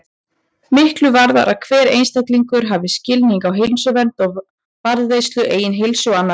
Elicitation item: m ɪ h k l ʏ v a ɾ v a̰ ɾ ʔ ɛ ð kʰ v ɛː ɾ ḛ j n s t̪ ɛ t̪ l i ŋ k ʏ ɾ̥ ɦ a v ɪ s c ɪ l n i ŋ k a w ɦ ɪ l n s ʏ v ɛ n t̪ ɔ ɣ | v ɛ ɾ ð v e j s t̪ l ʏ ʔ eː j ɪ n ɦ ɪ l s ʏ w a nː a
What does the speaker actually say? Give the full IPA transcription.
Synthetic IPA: m ɪ h k l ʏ v a ɾ ð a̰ ɾ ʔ a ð kʰ v ɛː ɾ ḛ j n s t̪ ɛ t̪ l i ŋ k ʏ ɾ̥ ɦ a v ɪ s c ɪ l n i ŋ k a w ɦ ɪ l n s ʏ v ɛ n t̪ ɔ ɣ | v a ɾ ð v e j s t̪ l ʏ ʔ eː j ɪ n ɦ ɪ l s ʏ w a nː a

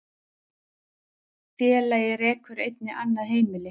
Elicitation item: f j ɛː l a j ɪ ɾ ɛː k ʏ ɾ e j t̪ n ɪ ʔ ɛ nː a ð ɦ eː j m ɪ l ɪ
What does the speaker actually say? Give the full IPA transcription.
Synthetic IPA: f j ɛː l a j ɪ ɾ ɛː k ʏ ɾ e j t̪ n ɪ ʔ a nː a ð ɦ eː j m ɪ l ɪ

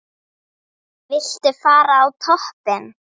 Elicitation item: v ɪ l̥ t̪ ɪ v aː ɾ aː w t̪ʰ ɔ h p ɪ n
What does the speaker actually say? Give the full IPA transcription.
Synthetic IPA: v ɪ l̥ t̪ ɪ f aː ɾ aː w t̪ʰ ɔ h p ɪ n

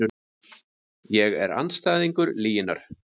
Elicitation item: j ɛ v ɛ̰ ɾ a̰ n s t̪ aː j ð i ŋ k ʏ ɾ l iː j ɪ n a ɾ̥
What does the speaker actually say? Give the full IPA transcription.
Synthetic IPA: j ɛ ɣ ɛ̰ ɾ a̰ n s t̪ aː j ð i ŋ k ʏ ɾ l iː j ɪ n a ɾ̥

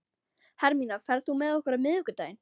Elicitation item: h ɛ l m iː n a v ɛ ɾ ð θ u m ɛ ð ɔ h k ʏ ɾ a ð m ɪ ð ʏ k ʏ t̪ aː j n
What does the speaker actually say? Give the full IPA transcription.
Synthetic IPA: h ɛ ɾ m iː n a f ɛ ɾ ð θ u m ɛ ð ɔ h k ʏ ɾ a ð m ɪ ð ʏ k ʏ t̪ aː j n

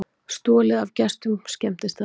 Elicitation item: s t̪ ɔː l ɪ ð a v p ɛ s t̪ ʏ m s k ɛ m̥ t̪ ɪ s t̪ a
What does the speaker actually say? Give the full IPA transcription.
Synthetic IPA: s t̪ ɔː l ɪ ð a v c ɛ s t̪ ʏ m s c ɛ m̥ t̪ ɪ s t̪ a

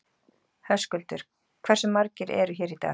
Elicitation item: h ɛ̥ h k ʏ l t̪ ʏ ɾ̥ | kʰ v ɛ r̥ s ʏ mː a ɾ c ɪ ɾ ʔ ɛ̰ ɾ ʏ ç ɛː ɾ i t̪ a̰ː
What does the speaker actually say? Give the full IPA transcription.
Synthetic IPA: h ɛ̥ s k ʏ l t̪ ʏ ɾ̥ | kʰ v ɛ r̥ s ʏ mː a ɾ c ɪ ɾ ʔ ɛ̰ ɾ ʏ ç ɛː ɾ i t̪ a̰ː

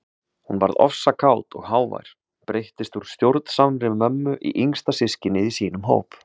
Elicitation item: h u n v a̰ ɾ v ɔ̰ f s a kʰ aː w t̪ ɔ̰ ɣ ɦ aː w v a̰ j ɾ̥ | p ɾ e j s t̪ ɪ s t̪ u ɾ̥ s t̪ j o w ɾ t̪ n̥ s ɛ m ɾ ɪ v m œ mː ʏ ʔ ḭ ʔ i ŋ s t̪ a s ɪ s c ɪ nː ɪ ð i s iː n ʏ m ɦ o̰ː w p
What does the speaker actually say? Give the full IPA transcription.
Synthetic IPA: h u n v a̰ ɾ ð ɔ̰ f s a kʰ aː w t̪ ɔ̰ ɣ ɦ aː w v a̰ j ɾ̥ | p ɾ e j h t̪ ɪ s t̪ u ɾ̥ s t̪ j o w ɾ t̪ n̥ s a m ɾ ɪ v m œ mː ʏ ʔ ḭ ʔ i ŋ s t̪ a s ɪ s c ɪ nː ɪ ð i s iː n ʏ m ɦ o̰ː w p

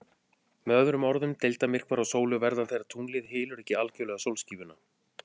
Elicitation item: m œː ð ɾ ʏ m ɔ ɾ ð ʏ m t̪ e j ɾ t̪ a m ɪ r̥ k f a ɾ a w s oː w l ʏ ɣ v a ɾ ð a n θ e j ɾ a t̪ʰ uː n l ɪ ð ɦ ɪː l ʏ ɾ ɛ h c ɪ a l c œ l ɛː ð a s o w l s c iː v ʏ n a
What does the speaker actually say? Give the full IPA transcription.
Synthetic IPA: m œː ð ɾ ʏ m ɔ ɾ ð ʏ m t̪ e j l t̪ a m ɪ r̥ k v a ɾ a w s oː w l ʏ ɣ v ɛ ɾ ð a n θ e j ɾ a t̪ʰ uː n l ɪ ð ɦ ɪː l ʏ ɾ ɛ h c ɪ a l c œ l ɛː ɣ a s o w l s c iː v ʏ n a

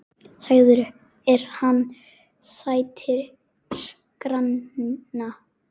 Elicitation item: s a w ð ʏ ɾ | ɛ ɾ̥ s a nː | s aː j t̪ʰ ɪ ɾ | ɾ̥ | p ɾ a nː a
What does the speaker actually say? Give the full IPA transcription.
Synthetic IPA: s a ɣ ð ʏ ɾ | ɛ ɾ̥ h a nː | s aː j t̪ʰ ɪ ɾ | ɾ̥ | k ɾ a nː a

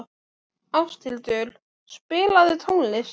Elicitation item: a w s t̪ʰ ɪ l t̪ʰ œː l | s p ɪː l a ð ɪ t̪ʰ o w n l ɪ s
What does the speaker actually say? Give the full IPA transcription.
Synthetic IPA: a w s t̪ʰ ɪ l t̪ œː l | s p ɪː l a ð ɪ t̪ʰ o w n l ɪ s

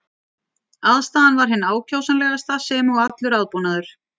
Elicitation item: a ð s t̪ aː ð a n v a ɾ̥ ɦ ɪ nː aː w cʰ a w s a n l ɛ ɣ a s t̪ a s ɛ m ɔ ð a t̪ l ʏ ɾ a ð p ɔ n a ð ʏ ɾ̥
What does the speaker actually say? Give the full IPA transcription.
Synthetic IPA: a ð s t̪ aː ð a n v a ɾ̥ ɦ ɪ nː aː w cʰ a w s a n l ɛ ɣ a s t̪ a s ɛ m ɔ ɣ a t̪ l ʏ ɾ a ð p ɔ n a ð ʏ ɾ̥

